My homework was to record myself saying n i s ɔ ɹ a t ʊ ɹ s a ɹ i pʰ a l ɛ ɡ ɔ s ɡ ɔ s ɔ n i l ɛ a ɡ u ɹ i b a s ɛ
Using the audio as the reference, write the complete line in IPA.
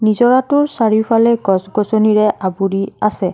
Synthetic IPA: n i z ɔ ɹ a t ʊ ɹ s a ɹ i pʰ a l ɛ ɡ ɔ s ɡ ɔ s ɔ n i ɹ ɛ a b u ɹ i a s ɛ